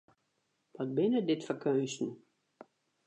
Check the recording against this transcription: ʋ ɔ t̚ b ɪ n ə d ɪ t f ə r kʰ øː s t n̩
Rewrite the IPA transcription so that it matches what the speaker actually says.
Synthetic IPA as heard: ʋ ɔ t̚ b ɪ n ə d ɪ t f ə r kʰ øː s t n̩

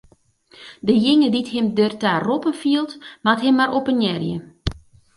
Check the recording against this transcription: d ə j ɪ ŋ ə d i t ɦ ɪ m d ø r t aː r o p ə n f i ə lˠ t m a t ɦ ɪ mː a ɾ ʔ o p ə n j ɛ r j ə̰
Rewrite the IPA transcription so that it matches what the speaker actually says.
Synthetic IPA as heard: d ə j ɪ ŋ ə d i t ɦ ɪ m d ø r t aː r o p ə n f i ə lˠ t m a t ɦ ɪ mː a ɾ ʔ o p ə n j ɛ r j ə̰

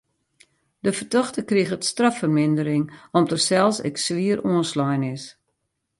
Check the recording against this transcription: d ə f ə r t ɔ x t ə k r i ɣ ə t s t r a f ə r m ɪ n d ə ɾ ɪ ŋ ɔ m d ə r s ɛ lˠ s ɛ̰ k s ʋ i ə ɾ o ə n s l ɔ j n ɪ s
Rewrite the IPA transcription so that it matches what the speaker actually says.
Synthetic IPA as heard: d ə f ə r t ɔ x t ə k r i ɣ ə t s t r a f ə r m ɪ n d ə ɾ ɪ ŋ ɔ m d ə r s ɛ lˠ s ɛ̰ k s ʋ i ə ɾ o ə n s l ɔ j n ɪ s

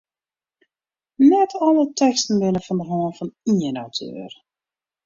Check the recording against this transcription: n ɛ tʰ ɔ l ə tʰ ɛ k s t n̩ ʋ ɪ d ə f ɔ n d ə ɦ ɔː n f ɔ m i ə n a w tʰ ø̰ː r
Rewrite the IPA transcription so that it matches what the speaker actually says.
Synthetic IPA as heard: n ɛ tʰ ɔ l ə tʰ ɛ k s t n̩ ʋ ɪ n ə f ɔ n d ə ɦ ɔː n f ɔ n i ə n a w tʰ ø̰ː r

